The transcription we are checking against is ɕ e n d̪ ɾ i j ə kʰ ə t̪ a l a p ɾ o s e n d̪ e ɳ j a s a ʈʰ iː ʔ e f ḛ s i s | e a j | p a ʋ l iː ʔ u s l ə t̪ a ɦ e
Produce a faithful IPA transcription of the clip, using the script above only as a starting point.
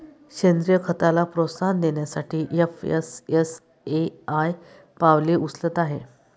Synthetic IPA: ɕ e n d̪ ɾ i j ə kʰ ə t̪ a l a p ɾ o s a n d̪ e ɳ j a s a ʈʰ iː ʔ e f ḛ s e s | e a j | p a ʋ l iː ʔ u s l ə t̪ a ɦ e